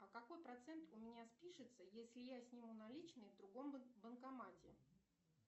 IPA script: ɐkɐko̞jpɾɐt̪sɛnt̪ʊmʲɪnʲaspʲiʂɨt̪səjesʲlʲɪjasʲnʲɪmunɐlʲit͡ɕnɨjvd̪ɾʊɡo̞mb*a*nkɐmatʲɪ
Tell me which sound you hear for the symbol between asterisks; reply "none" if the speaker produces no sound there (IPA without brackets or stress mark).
ə